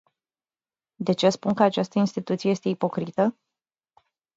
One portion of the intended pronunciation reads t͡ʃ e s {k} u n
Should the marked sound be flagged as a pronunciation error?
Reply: yes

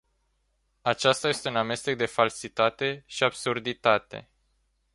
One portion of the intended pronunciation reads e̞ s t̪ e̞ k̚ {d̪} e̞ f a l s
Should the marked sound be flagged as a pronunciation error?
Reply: no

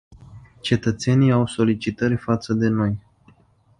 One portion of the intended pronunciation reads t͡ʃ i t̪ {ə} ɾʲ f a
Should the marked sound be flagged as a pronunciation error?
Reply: no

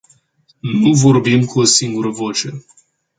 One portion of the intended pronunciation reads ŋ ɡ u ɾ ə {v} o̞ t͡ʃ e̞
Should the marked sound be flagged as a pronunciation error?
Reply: no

